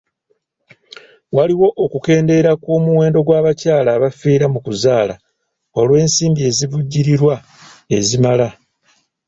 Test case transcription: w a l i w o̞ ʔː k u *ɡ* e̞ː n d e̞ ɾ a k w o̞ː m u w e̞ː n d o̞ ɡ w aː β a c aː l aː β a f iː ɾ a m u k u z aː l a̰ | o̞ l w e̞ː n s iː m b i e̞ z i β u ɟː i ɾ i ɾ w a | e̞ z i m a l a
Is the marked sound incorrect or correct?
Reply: incorrect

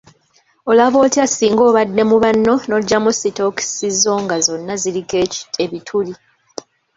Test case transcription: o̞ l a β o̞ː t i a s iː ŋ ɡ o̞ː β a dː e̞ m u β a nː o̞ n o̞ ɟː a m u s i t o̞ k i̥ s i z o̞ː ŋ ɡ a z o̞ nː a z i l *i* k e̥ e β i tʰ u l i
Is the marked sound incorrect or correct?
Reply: correct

